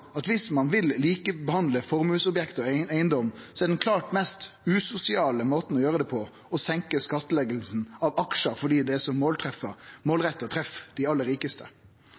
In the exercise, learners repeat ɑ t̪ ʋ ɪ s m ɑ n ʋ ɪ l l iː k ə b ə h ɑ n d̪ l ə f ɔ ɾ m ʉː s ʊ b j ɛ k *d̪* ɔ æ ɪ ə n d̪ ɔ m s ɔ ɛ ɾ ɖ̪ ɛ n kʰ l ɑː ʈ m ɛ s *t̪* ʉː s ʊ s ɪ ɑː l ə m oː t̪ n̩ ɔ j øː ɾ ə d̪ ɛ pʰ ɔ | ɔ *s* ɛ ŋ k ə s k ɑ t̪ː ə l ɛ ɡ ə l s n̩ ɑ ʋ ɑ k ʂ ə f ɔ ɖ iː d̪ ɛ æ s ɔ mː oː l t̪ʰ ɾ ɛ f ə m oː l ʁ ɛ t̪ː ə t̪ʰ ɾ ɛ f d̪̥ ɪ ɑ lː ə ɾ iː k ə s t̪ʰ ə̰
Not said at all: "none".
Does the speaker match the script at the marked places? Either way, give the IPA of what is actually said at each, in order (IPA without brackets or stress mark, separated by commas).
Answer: t̪, t̪, s